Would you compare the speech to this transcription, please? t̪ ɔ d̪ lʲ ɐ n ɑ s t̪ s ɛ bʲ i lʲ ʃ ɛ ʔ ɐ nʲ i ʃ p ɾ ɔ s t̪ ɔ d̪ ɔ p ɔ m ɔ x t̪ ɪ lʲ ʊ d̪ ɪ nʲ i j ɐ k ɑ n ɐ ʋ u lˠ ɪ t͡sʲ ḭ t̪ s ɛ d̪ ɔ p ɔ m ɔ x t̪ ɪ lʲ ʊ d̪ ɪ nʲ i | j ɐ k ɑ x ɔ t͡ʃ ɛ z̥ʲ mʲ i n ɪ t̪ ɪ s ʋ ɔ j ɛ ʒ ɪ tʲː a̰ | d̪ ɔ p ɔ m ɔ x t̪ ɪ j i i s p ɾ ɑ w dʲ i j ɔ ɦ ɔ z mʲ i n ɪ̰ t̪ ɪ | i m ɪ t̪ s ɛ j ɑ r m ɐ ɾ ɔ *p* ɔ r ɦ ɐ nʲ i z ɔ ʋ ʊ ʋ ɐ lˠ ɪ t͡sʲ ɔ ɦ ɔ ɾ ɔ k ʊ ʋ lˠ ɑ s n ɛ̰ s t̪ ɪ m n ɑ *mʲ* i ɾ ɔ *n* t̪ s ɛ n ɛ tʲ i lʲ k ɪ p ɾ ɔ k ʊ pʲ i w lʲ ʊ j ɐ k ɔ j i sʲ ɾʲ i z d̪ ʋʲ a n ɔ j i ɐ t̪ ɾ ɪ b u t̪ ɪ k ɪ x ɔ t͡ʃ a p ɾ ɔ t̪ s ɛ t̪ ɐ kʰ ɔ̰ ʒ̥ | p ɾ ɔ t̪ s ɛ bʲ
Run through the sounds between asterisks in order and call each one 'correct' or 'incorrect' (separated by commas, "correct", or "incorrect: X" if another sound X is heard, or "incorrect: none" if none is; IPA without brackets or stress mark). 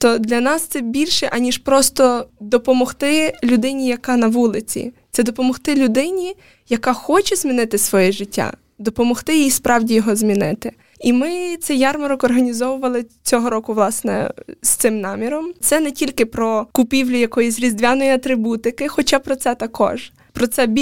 incorrect: k, correct, incorrect: m